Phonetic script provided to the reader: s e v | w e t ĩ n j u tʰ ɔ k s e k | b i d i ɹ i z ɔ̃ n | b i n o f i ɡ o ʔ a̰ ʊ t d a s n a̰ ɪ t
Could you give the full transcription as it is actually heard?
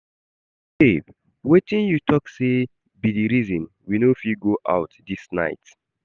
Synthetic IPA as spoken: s e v | w e t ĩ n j u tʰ ɔ k s e | b i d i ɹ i z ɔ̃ n | w i n o f i ɡ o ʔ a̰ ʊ t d i s n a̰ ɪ t

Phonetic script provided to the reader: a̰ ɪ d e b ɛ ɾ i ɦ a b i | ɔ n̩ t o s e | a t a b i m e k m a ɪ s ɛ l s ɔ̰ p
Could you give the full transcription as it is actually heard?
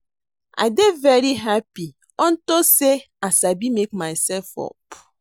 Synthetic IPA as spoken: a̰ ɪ d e v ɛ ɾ i ɦ a p i | ɔ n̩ t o s e | a s a b i m e k m a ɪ s ɛ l f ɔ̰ p

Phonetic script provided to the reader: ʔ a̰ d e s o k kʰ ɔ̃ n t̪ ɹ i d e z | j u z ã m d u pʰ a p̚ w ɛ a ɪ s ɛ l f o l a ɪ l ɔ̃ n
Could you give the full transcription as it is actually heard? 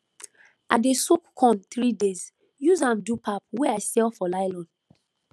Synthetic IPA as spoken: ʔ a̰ d e s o k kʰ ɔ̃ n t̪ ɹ i d e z | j u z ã m d u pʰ a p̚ w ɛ a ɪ s ɛ l f ɔ l a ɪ l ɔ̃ n

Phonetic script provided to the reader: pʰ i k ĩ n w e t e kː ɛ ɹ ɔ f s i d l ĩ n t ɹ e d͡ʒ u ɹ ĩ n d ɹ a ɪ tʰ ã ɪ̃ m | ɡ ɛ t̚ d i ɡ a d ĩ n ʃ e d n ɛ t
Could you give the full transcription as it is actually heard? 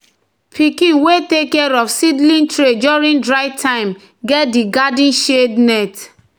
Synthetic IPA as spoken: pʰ i k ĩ n w e t e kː ɛ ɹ ɔ f s i d l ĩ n t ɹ e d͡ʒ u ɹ ĩ n d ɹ a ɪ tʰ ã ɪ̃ m | ɡ ɛ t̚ d i ɡ a d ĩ n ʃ e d n ɛ t

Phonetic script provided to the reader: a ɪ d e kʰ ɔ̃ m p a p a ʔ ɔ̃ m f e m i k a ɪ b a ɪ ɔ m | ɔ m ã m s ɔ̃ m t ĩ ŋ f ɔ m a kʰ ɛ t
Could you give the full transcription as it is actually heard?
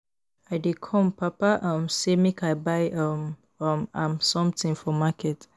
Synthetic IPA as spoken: a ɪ d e kʰ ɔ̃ m p a p a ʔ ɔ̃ m s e m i k a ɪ b a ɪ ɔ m | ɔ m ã m s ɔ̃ m t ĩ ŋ f ɔ m a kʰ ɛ t

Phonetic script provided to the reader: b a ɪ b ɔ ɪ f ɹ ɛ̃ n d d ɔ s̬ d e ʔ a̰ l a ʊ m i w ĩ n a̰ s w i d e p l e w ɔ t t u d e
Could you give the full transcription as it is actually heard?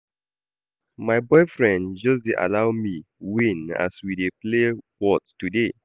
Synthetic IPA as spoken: m a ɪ b ɔ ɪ f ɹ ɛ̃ n d d͡ʒ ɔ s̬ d e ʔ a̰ l a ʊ m i w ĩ n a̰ s w i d e p l e w ɔ t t u d e

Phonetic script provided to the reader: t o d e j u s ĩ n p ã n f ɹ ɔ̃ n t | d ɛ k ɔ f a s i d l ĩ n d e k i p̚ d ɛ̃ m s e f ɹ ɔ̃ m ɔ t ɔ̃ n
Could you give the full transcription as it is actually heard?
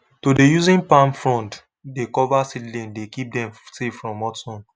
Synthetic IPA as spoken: t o d e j u z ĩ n p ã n f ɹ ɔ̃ n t | d e k ɔ v a s i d l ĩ n d e k i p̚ d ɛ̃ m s e f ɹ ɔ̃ m ɔ t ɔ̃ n

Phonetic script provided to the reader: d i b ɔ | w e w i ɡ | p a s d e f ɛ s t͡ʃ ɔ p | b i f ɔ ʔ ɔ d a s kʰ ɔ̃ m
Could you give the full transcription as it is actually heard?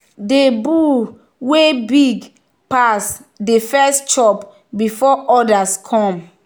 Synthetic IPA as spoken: d e b u | w e b i ɡ | p a s d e f ɛ s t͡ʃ ɔ p | b i f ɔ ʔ ɔ d a s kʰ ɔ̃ m

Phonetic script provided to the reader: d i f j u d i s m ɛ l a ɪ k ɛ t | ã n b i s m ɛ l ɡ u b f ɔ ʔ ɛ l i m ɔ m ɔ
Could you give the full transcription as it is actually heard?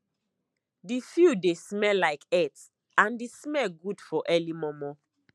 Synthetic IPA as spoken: d i f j u d e s m ɛ l a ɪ k ɛ t | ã n d i s m ɛ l ɡ u d f ɔ ʔ ɛ l i m ɔ m ɔ

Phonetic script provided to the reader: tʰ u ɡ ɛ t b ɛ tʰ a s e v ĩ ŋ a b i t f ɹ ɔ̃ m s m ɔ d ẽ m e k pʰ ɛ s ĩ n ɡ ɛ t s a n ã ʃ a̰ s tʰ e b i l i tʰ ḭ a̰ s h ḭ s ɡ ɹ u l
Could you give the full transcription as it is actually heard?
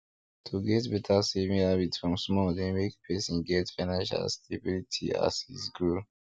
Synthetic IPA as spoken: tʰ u ɡ ɛ t b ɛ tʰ a s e v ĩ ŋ a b i t f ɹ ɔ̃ m s m ɔ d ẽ m e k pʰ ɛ s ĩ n ɡ ɛ t f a n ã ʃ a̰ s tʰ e b i l i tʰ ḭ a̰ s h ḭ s ɡ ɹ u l

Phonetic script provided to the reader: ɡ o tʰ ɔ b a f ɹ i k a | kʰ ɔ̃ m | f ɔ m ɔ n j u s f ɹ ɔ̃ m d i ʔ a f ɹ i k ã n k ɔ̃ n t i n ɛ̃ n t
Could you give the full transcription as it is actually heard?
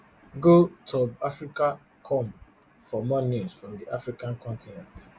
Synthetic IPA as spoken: ɡ o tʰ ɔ b a f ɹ i k a | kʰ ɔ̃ m | f ɔ m ɔ n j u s f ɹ ɔ̃ m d i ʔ a f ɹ i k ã n k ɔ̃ n t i n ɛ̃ n t

